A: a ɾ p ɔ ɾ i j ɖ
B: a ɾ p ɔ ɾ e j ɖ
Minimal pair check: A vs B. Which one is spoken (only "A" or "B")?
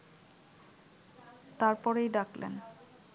B